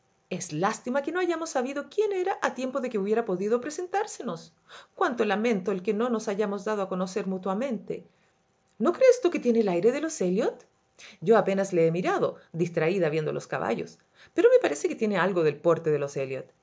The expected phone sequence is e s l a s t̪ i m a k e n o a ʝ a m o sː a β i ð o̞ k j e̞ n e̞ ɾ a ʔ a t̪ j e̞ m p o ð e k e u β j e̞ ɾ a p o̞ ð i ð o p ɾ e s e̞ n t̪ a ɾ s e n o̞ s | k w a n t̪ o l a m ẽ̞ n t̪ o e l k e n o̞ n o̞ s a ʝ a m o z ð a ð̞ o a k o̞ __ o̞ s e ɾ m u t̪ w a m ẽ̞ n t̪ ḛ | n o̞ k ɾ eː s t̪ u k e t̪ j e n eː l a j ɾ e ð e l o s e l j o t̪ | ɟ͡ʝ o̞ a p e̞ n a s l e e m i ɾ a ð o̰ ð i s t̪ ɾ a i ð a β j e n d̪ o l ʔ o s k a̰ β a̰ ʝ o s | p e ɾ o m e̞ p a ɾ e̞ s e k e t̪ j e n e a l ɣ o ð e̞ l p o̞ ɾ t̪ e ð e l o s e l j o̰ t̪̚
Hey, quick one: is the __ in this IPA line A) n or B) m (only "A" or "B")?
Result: A